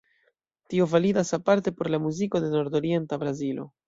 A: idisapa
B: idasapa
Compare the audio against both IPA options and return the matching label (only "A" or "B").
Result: B